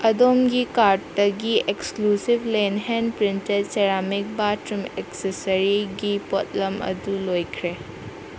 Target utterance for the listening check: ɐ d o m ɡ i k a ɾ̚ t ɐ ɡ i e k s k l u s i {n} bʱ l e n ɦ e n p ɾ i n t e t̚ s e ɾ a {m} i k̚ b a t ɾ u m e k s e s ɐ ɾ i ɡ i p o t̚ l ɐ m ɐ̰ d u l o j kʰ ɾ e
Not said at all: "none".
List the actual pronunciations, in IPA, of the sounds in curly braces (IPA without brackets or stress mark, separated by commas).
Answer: none, m